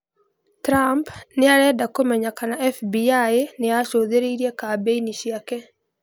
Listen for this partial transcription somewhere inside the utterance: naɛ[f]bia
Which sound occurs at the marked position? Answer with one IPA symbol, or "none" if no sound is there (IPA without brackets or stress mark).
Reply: f